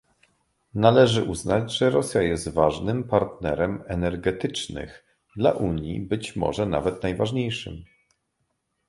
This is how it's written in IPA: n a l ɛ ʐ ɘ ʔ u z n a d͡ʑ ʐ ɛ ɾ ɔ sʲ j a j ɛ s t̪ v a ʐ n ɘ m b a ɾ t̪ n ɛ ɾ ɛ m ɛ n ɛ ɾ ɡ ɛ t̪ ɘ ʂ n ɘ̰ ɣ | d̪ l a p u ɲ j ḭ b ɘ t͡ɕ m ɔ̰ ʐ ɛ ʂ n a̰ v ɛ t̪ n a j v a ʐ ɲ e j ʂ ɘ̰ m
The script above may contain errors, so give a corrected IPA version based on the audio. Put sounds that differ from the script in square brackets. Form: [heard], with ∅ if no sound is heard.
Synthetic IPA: n a l ɛ ʐ ɘ ʔ u z n a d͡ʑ ʐ ɛ ɾ ɔ sʲ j a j ɛ s t̪ v a ʐ n ɘ m [p] a ɾ t̪ n ɛ ɾ ɛ m ɛ n ɛ ɾ ɡ ɛ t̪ ɘ [t͡ʂ] n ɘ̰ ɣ | d̪ l a [ʔ] u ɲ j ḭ b ɘ t͡ɕ m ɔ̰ ʐ ɛ [∅] n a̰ v ɛ t̪ n a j v a ʐ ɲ e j ʂ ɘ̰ m